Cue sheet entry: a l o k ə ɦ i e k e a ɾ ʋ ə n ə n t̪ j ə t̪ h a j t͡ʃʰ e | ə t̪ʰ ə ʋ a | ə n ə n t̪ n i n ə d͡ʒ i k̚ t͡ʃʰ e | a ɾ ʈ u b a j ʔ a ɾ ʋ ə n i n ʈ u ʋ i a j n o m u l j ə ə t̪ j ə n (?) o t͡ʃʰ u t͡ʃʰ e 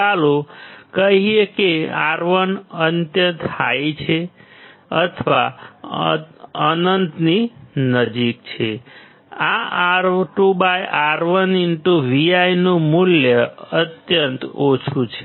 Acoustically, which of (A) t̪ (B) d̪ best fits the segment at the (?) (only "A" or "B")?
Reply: A